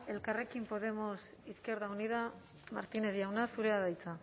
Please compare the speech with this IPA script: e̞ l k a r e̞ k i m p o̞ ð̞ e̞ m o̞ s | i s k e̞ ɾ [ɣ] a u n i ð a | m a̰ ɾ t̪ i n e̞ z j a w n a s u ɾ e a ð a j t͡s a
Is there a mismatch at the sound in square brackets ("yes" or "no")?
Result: yes